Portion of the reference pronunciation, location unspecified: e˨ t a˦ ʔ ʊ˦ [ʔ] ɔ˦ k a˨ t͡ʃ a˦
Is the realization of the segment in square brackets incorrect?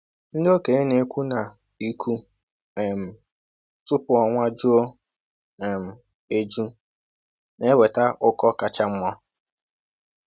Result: yes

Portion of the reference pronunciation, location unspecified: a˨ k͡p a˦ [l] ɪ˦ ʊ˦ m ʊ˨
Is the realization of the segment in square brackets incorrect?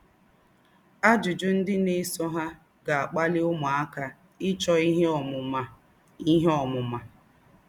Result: no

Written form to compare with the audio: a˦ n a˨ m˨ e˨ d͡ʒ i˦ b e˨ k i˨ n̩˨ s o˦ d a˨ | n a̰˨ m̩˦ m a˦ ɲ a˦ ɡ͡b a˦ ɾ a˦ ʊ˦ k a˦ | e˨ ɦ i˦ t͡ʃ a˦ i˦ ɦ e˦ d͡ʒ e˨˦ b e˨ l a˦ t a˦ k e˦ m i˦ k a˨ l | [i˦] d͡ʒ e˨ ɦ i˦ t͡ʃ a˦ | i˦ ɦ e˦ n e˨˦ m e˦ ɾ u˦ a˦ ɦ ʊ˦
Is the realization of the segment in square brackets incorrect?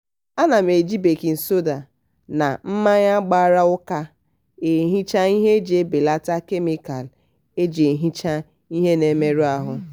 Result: yes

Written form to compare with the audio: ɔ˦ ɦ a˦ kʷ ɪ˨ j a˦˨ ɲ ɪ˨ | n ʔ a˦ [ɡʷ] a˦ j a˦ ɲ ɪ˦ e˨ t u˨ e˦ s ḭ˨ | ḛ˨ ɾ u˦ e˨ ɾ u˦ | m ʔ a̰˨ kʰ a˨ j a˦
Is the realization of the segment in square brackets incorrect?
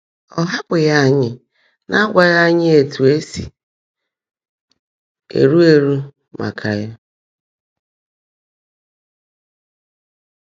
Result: no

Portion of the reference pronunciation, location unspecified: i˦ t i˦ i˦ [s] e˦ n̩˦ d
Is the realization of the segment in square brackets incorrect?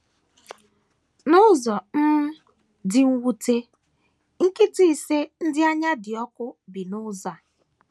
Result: no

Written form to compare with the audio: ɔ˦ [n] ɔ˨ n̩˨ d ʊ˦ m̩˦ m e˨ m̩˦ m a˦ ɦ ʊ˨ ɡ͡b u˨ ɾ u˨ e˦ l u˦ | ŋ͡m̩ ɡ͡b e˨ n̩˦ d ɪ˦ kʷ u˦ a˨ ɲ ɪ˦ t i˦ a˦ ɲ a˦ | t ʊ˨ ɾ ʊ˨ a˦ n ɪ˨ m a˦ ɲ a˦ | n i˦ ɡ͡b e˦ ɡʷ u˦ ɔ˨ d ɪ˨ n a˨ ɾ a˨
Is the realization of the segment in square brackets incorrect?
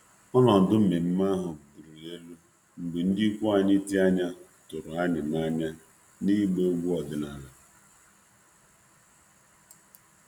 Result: no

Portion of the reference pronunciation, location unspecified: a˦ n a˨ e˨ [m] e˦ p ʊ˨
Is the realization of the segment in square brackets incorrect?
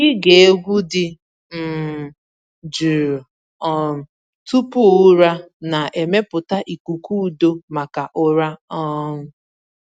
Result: no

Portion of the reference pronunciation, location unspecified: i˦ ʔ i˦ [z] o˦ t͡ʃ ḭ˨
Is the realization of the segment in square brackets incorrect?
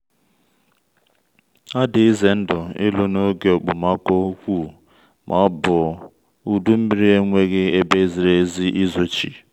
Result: no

